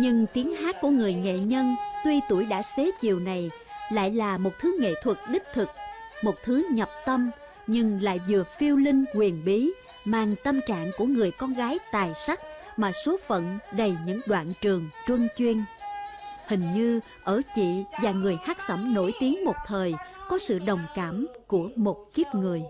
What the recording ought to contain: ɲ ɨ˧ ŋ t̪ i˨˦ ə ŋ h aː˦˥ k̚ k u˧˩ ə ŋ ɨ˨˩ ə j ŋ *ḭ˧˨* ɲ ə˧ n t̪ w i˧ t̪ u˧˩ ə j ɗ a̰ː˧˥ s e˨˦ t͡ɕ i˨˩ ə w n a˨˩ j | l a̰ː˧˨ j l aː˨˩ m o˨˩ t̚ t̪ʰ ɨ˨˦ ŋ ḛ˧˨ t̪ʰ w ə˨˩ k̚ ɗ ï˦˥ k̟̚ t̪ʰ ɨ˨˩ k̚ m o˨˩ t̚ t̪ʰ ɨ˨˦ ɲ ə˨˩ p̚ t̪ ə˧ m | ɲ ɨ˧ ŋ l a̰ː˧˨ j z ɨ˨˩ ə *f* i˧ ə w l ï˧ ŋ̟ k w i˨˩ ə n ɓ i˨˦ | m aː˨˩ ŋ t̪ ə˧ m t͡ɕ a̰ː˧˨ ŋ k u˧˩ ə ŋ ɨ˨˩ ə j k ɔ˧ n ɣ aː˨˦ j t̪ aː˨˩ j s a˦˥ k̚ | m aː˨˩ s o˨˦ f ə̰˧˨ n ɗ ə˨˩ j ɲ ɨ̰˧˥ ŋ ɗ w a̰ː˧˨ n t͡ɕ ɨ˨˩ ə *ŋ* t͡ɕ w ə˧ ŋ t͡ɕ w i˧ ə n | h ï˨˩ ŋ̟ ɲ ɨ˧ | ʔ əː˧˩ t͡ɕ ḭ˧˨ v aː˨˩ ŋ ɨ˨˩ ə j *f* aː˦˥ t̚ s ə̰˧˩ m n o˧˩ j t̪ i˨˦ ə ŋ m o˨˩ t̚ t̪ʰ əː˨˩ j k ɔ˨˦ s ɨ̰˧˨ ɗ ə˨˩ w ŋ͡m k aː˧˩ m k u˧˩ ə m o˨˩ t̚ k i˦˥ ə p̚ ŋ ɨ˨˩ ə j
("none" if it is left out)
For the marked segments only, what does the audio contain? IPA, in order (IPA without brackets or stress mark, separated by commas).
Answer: ḛ˧˨, f, ŋ, h